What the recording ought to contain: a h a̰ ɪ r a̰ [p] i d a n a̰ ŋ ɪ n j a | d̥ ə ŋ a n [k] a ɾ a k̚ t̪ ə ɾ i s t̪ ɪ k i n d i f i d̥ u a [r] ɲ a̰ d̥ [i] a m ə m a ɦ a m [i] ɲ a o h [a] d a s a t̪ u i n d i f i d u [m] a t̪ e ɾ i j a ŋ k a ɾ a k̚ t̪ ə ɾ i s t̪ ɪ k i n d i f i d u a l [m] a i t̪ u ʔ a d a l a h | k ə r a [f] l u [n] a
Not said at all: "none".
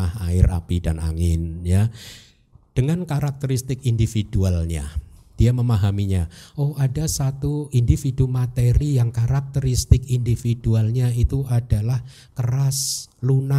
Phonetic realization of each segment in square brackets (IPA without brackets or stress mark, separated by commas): p, k, l, i, i, a, m, ɲ, s, n